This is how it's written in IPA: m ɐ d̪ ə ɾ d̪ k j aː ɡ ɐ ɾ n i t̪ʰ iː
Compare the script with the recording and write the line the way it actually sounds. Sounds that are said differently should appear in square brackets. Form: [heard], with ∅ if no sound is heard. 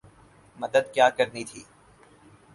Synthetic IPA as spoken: m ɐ d̪ ə [∅] d̪ k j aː [k] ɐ ɾ n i t̪ʰ iː